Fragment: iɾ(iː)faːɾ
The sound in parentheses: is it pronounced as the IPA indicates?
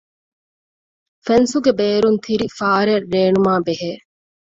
no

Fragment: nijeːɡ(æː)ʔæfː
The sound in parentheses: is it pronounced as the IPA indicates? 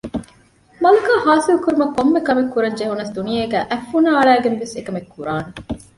yes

